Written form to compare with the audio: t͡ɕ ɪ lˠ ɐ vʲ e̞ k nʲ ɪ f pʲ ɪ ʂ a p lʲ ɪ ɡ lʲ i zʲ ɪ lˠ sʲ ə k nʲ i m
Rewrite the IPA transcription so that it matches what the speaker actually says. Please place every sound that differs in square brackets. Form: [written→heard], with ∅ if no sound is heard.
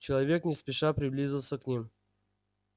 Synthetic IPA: t͡ɕ ɪ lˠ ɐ vʲ e̞ k nʲ ɪ [f→s] pʲ ɪ ʂ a p [lʲ→ɾʲ] ɪ [ɡ→b] lʲ i zʲ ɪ lˠ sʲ ə k nʲ i m